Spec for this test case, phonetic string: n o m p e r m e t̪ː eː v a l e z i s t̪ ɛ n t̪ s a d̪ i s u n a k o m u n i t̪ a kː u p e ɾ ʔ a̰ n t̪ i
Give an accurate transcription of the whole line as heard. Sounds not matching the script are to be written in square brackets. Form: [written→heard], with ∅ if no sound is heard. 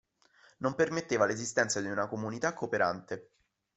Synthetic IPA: n o m p e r m e t̪ː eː v a l e z i s t̪ ɛ n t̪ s a d̪ i [s→∅] u n a k o m u n i t̪ a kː [u→o] p e ɾ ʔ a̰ n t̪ [i→e]